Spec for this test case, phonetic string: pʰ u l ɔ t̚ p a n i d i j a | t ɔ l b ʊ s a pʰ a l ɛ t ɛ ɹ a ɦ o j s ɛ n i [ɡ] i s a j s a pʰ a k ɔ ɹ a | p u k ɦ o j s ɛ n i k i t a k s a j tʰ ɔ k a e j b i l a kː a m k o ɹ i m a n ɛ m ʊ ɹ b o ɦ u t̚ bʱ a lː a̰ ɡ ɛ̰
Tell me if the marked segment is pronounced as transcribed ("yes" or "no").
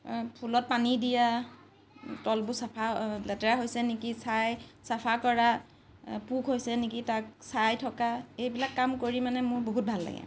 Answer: no